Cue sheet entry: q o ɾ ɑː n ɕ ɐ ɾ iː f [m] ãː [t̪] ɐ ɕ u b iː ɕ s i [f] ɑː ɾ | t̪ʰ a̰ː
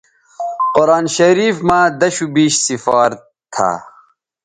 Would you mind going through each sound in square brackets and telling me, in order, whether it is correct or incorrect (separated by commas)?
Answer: correct, incorrect, correct